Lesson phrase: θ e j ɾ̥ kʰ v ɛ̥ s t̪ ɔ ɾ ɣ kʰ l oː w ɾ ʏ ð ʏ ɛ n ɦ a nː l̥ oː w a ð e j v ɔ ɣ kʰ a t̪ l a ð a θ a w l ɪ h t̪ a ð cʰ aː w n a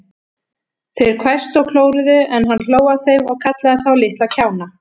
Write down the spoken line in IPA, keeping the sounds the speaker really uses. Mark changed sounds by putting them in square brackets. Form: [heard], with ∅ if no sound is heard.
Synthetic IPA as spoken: θ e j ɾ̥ kʰ v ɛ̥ s t̪ ɔ [∅] ɣ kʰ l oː w ɾ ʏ ð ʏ ɛ n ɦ a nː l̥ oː w a [θ] e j v ɔ ɣ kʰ a t̪ l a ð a θ a w l ɪ h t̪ a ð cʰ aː w n a